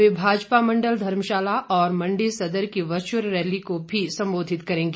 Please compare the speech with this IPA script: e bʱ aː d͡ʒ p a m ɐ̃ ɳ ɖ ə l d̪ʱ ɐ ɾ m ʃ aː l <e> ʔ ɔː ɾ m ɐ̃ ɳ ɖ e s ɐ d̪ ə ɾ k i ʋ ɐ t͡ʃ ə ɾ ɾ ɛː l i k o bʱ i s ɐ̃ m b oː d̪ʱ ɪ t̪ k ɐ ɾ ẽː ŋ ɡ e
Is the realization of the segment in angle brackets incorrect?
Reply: yes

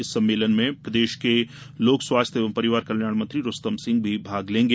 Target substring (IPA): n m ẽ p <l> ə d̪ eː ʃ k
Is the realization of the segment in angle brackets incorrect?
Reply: yes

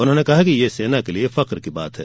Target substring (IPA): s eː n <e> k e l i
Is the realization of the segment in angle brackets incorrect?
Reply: yes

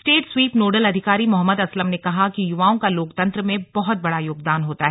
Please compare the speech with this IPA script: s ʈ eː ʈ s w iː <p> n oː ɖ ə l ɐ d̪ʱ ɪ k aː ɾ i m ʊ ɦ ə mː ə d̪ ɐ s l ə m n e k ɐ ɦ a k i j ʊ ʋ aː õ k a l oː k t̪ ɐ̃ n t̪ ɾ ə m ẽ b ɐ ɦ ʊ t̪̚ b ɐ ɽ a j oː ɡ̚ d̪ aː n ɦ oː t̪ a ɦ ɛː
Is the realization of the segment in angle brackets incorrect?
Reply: no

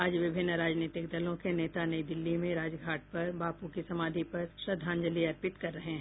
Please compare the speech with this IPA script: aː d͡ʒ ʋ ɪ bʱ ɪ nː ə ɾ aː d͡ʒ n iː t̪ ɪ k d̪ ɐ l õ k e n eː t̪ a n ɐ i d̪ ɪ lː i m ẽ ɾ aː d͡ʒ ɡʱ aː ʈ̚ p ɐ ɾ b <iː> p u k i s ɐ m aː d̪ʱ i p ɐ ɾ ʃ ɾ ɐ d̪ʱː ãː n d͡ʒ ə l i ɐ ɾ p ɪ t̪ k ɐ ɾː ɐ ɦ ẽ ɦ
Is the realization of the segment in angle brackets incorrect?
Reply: yes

